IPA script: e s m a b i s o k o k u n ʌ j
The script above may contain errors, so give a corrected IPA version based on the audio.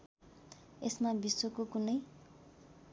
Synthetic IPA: e s m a b i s o k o k u n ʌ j